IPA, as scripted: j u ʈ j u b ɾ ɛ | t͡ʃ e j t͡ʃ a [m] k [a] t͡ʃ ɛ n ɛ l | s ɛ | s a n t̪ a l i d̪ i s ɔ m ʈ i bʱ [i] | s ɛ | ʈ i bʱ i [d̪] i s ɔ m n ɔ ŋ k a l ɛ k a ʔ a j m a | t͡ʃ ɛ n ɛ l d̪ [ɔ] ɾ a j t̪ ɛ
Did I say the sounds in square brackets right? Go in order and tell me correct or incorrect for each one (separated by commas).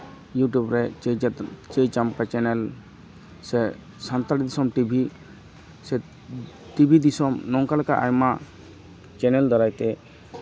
correct, correct, correct, correct, correct